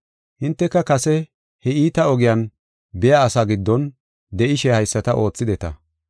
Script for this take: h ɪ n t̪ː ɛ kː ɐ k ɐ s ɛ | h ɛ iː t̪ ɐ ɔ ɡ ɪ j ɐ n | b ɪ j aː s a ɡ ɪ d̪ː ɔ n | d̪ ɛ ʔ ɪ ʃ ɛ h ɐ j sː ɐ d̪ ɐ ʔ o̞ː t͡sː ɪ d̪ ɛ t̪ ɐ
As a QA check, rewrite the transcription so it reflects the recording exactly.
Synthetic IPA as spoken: h ɪ n t̪ː ɛ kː ɐ k ɐ s ɛ | h ɛ iː t̪ ɐ ɔ ɡ ɪ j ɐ n | b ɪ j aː s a ɡ ɪ d̪ː ɔ n | d̪ ɛ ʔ ɪ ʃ ɛ h ɐ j sː ɐ t̪ ɐ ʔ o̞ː t͡sː ɪ d̪ ɛ t̪ ɐ